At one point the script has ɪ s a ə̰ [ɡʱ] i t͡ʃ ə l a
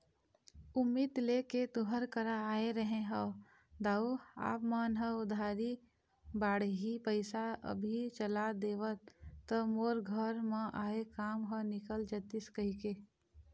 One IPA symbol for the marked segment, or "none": bʱ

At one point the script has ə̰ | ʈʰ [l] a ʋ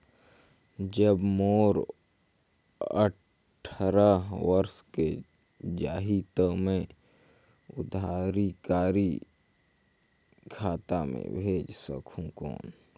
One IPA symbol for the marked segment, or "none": ɾ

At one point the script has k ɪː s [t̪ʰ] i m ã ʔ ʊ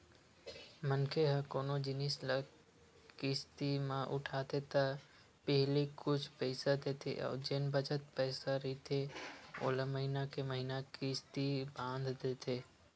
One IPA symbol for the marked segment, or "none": t̪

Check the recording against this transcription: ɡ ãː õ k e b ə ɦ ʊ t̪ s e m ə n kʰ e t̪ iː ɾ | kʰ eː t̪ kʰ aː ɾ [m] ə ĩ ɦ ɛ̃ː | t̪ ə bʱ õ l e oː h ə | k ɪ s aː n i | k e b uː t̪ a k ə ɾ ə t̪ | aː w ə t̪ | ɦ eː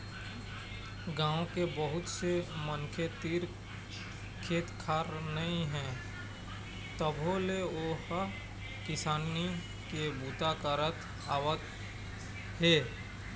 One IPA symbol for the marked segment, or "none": n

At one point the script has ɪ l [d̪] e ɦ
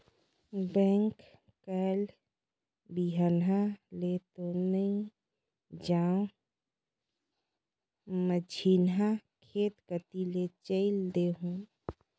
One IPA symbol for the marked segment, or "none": d̪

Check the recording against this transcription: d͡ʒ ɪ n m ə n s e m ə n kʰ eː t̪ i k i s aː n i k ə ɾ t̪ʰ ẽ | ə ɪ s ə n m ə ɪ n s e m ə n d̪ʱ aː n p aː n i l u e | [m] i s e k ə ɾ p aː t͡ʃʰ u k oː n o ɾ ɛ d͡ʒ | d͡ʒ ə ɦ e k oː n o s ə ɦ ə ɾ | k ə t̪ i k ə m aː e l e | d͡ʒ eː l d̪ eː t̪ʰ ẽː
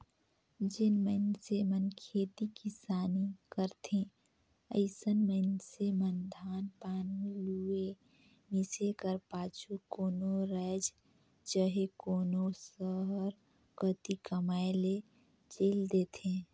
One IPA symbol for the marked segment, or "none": m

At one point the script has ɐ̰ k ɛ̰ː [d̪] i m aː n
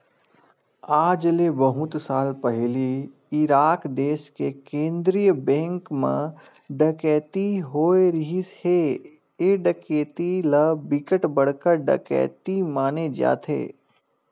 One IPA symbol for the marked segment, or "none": t̪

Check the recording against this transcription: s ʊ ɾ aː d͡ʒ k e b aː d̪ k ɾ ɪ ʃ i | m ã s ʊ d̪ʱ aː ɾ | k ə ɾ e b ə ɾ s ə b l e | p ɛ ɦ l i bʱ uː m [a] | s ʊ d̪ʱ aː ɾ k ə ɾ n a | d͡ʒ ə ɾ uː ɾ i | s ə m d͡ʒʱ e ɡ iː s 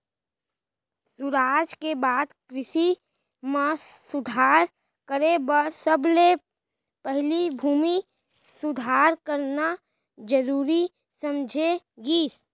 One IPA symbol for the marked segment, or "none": i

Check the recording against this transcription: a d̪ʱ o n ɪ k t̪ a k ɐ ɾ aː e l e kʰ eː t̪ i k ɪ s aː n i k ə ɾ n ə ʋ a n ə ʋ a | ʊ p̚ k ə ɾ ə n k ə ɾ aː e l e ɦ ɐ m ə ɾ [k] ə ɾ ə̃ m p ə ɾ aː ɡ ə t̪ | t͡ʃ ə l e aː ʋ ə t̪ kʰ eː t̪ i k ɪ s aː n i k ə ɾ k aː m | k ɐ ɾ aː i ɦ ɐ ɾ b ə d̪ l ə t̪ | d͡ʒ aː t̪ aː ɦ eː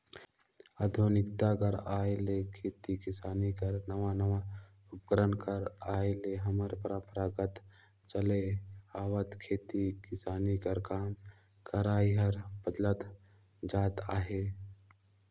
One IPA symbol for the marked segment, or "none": p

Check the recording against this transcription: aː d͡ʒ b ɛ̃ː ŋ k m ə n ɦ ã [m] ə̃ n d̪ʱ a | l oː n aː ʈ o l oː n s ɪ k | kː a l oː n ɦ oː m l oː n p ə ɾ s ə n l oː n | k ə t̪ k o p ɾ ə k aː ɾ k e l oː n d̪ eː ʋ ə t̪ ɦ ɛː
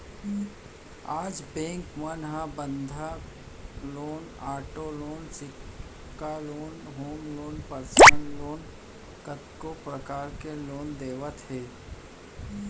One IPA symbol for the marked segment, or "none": b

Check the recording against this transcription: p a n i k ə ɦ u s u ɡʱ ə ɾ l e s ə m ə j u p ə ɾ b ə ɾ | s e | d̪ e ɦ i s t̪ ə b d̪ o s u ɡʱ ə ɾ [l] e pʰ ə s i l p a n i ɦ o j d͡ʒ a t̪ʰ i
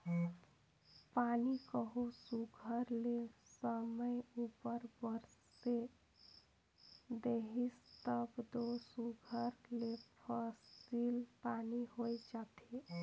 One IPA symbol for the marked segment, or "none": l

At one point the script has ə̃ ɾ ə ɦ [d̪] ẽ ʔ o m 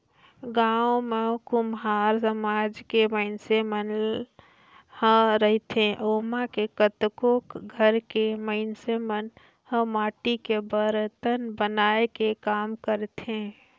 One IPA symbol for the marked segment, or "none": t̪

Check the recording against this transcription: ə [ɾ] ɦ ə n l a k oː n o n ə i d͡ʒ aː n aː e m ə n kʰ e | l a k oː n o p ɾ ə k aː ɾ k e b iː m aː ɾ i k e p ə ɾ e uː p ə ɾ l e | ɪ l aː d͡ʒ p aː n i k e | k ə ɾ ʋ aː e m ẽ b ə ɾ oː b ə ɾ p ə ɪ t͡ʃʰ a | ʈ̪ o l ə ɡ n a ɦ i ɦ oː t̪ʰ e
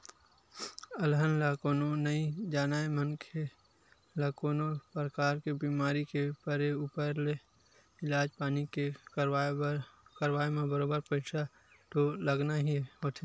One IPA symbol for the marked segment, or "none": l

